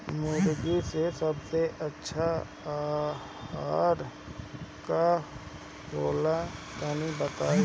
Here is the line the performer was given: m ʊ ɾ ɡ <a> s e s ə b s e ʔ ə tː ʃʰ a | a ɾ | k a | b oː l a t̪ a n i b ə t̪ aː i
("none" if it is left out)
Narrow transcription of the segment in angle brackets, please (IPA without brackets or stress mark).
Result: i